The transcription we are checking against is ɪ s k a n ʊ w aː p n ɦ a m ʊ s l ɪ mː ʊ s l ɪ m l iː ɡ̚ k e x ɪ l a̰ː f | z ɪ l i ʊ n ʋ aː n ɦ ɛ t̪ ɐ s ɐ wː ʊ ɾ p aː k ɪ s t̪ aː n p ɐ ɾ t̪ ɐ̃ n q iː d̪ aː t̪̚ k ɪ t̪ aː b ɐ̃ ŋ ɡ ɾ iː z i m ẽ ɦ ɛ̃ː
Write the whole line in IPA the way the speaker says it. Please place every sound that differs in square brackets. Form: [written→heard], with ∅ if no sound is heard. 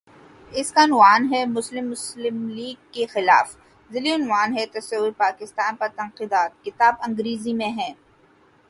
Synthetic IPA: ɪ s k a n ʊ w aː [p→∅] n ɦ [a→ɛ] m ʊ s l ɪ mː ʊ s l ɪ m l iː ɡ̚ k e x ɪ l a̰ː f | z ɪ l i ʊ n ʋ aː n ɦ ɛ t̪ ɐ s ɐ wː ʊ ɾ p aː k ɪ s t̪ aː n p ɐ ɾ t̪ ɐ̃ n q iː d̪ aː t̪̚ k ɪ t̪ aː b ɐ̃ ŋ ɡ ɾ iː z i m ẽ ɦ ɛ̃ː